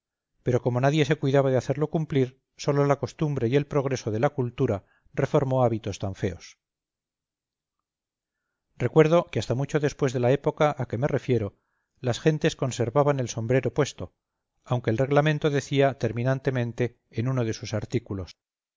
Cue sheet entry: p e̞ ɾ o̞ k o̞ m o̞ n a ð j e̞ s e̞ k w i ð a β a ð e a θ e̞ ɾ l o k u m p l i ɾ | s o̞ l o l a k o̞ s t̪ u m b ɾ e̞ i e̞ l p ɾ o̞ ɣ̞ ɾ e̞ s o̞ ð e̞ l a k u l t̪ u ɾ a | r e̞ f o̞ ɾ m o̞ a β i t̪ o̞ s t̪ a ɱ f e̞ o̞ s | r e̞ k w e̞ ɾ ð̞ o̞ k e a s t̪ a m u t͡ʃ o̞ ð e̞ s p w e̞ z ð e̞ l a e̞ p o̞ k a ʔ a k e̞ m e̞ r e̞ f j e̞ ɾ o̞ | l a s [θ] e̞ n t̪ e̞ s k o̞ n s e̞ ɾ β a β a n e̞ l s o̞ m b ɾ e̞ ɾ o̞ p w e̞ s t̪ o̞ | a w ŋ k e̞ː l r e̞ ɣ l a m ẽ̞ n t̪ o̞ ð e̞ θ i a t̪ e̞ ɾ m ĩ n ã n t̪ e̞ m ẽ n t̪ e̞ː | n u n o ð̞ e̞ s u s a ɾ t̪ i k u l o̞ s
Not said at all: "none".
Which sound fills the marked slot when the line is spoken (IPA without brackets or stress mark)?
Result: x